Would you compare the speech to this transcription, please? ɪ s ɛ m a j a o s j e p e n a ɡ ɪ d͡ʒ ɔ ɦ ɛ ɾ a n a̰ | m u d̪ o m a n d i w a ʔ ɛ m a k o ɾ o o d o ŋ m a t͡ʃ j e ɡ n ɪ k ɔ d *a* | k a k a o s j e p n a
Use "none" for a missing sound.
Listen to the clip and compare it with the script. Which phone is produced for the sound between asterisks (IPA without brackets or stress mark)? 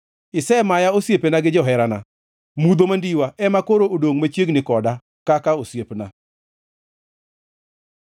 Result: a